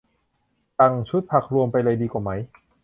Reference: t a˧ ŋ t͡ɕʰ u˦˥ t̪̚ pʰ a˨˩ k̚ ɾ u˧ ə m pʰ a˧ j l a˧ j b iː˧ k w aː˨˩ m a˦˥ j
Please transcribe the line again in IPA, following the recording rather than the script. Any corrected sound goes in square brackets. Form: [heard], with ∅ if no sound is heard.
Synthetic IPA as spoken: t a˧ ŋ t͡ɕʰ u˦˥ t̪̚ pʰ a˨˩ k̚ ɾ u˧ ə m [p] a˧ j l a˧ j [d] iː˧ k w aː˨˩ m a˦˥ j